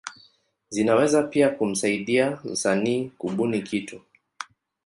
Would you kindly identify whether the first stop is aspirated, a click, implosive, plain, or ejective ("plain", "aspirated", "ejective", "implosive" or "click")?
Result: plain